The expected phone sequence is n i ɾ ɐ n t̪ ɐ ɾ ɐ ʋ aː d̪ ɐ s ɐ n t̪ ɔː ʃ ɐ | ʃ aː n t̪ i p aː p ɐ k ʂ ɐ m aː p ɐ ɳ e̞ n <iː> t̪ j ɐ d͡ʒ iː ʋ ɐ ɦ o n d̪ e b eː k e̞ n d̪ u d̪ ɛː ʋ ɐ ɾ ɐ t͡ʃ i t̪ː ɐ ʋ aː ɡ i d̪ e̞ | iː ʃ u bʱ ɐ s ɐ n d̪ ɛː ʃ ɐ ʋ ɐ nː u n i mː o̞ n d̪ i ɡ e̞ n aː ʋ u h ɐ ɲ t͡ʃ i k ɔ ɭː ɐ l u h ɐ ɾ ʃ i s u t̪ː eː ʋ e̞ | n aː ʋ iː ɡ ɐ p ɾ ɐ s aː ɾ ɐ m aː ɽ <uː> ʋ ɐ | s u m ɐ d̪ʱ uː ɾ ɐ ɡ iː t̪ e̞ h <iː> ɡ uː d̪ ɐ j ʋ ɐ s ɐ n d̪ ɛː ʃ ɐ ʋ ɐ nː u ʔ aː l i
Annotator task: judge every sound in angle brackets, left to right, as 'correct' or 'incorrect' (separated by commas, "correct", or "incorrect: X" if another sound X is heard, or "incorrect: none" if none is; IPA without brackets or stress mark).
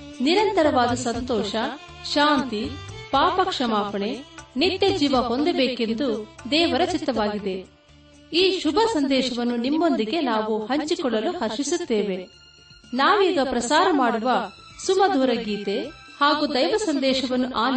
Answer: incorrect: i, incorrect: u, incorrect: aː